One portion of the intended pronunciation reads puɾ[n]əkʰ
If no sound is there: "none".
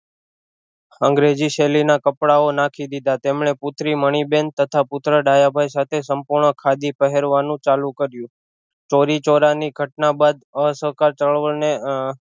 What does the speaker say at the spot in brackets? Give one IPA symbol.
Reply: ɳ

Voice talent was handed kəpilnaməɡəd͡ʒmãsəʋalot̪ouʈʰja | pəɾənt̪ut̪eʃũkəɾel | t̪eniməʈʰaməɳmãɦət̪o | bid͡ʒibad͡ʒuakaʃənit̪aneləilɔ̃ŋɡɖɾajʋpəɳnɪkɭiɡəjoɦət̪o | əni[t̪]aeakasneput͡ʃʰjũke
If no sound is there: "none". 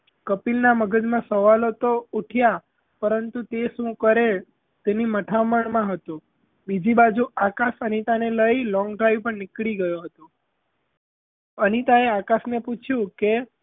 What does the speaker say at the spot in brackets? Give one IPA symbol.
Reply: t̪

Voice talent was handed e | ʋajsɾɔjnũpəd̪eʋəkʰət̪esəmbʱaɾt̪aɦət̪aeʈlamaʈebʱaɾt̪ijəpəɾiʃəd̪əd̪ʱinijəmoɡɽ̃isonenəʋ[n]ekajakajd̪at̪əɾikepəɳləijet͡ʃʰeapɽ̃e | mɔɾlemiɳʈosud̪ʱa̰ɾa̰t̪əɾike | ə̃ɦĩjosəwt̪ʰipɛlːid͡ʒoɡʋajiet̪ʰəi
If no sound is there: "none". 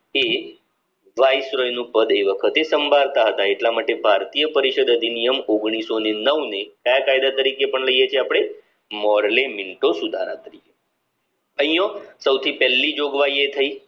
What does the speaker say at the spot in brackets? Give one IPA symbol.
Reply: n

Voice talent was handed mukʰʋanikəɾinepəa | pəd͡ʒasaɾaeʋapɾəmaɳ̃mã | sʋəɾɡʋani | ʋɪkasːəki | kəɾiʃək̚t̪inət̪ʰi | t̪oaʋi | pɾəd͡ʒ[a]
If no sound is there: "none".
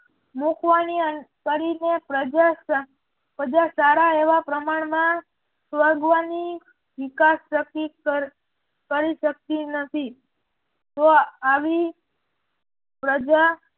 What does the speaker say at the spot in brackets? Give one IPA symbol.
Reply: a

